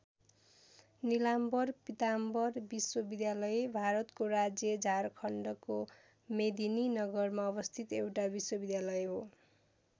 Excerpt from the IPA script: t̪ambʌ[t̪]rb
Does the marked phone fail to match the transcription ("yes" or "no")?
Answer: yes